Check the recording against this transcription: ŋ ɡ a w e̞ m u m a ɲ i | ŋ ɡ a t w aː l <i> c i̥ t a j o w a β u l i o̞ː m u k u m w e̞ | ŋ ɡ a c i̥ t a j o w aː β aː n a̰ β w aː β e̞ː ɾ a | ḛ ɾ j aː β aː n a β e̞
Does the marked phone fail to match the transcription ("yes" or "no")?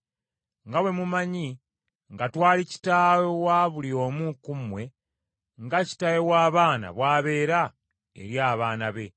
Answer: no